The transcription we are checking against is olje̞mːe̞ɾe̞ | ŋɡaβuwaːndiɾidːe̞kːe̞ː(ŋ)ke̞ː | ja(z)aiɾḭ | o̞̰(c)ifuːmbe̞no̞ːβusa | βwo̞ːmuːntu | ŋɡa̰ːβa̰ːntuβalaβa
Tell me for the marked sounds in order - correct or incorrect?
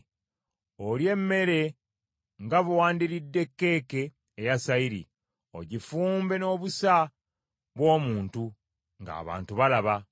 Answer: incorrect: none, incorrect: s, incorrect: ɟ

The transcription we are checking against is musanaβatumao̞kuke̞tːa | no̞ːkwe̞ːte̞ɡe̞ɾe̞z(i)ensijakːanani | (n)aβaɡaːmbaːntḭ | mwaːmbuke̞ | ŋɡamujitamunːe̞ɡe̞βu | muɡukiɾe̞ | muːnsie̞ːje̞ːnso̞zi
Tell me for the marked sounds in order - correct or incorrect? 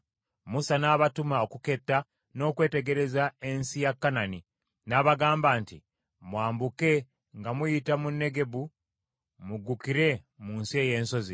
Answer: incorrect: a, correct

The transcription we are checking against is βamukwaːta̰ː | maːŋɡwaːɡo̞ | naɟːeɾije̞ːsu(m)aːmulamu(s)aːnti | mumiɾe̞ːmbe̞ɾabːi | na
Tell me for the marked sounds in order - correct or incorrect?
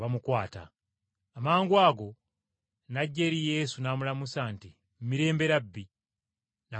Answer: incorrect: n, correct

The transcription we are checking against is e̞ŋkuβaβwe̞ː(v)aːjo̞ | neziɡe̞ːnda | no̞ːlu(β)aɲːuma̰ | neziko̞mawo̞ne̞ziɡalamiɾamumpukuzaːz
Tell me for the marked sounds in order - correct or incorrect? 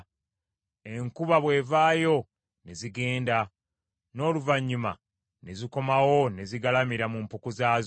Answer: correct, incorrect: v

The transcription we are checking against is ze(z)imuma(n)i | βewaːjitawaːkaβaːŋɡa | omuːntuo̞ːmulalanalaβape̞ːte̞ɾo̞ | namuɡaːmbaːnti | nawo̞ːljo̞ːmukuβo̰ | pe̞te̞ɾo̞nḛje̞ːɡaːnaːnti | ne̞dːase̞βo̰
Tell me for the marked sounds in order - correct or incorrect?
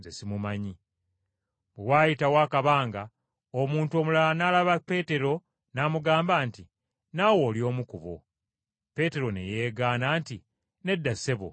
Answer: incorrect: s, incorrect: ɲ

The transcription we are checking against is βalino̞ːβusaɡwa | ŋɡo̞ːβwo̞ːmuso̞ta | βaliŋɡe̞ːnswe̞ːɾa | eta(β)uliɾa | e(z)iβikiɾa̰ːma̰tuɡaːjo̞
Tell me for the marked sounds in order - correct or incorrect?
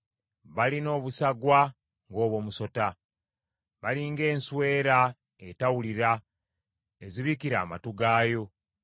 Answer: incorrect: w, correct

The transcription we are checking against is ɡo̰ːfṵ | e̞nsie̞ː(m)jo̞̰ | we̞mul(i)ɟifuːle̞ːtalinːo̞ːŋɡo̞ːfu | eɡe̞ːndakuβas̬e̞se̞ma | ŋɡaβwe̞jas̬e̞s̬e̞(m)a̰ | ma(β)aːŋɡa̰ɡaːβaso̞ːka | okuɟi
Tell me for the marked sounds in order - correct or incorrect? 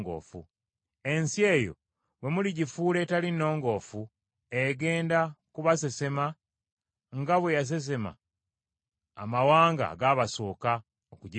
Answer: incorrect: none, correct, correct, incorrect: w

